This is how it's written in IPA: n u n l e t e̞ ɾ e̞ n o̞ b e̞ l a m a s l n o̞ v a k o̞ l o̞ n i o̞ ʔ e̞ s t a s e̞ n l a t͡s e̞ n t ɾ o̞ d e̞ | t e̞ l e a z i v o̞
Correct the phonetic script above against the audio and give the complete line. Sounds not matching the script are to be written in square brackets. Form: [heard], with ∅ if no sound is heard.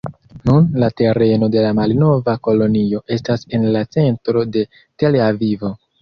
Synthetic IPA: n u n l [a] t e̞ ɾ e̞ n o̞ [d] e̞ l a m a [∅] l n o̞ v a k o̞ l o̞ n i o̞ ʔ e̞ s t a s e̞ n l a t͡s e̞ n t ɾ o̞ d e̞ | t e̞ l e a [v] i v o̞